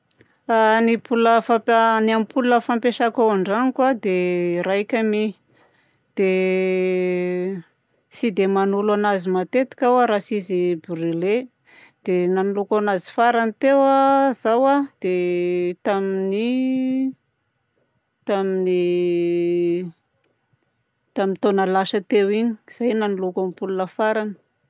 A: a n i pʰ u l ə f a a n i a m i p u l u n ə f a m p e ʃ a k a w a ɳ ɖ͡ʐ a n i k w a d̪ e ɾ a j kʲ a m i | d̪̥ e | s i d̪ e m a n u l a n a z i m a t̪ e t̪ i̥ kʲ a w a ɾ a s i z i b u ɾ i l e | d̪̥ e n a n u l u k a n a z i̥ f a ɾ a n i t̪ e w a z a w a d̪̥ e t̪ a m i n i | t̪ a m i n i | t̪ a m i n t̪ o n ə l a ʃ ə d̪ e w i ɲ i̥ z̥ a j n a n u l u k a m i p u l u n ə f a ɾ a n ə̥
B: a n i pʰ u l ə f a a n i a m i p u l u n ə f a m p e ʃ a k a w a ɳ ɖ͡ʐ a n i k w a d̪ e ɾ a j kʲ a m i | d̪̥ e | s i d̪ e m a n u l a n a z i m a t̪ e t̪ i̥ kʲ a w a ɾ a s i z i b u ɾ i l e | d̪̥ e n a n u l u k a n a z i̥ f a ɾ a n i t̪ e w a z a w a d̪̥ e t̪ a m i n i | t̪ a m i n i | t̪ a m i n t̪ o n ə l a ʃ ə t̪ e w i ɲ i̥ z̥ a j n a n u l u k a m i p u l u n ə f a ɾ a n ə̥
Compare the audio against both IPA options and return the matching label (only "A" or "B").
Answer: B